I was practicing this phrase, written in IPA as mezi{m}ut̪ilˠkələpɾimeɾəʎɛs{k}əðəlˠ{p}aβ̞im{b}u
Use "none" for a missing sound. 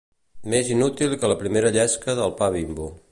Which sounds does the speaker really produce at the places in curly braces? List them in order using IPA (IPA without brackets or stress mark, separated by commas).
n, k, p, b